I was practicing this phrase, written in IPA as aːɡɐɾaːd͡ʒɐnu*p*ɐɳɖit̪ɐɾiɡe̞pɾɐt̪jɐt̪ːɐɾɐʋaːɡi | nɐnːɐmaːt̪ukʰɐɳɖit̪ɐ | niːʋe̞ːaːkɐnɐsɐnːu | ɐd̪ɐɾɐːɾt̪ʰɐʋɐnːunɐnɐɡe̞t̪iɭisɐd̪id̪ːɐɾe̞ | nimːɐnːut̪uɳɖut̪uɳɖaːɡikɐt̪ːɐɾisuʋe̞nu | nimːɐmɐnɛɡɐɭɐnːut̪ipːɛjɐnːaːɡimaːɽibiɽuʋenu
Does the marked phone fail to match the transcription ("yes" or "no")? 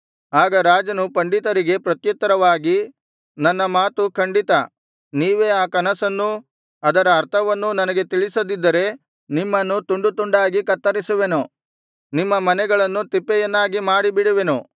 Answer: no